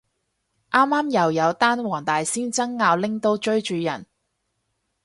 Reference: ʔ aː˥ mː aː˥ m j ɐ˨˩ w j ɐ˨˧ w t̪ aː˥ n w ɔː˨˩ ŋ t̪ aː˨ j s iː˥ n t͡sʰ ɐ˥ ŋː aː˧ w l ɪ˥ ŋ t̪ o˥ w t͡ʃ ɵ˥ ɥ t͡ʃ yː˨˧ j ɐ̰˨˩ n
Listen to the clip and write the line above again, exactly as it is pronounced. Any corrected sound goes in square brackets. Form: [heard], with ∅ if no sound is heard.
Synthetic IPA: ʔ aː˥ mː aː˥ m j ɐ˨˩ w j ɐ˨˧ w t̪ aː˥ n w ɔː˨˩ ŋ t̪ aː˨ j s iː˥ n [t͡s] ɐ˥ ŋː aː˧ w l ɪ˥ ŋ t̪ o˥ w t͡ʃ ɵ˥ ɥ t͡ʃ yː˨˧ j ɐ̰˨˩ n